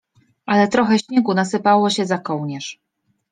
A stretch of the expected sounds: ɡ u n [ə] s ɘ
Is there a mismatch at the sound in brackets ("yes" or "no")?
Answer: yes